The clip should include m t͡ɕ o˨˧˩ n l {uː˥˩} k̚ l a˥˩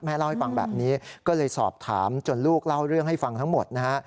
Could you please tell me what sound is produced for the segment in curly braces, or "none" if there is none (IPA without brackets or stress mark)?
uː˥˩